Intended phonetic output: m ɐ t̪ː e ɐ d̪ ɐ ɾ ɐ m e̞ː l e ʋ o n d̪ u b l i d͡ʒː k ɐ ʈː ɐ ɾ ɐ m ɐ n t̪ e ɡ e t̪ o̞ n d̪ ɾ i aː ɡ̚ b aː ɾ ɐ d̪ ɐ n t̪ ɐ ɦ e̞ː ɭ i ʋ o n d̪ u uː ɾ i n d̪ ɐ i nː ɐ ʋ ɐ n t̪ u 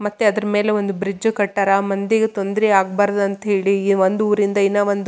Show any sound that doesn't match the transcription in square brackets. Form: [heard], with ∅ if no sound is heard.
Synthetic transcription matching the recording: m ɐ t̪ː e ɐ d̪ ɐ ɾ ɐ m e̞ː l e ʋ o n d̪ u b [ɾ] i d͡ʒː k ɐ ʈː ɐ ɾ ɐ m ɐ n [d̪] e ɡ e t̪ o̞ n d̪ ɾ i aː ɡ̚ b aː ɾ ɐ d̪ ɐ n t̪ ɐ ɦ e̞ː ɭ i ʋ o n d̪ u uː ɾ i n d̪ ɐ i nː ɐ ʋ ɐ n [d̪] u